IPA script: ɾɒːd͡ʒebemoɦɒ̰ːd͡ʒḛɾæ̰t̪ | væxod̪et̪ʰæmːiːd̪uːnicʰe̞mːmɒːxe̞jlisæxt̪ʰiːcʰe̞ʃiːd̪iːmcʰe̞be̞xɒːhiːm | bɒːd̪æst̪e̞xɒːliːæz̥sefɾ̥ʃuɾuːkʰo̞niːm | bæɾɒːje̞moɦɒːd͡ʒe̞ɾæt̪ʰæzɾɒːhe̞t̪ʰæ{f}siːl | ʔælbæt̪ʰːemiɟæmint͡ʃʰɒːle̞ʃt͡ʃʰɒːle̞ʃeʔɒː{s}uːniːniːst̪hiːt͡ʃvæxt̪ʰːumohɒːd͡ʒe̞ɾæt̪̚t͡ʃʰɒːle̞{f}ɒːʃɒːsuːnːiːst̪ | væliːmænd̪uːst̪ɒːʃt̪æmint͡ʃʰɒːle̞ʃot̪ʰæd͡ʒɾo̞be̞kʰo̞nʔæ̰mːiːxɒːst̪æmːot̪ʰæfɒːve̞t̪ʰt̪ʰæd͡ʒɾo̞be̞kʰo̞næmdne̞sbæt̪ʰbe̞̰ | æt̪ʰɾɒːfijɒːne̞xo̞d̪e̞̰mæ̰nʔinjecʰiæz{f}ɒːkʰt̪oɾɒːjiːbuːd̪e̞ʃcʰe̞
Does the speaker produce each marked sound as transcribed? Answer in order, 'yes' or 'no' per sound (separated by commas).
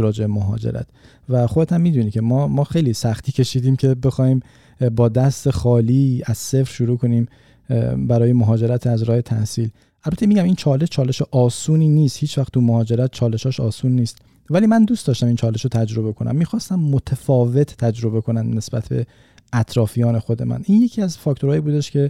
no, yes, no, yes